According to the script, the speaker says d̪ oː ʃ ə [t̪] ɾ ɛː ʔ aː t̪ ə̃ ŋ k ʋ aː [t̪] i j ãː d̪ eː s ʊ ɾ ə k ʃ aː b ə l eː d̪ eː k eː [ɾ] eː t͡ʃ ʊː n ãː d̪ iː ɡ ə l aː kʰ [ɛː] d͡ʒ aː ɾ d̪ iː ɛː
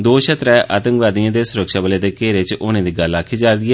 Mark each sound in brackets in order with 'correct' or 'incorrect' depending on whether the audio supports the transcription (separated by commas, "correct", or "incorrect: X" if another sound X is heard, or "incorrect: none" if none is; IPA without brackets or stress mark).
correct, incorrect: d̪, correct, incorrect: iː